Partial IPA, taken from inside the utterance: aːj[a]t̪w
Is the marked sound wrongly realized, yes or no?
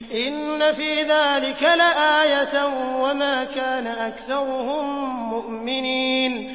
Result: no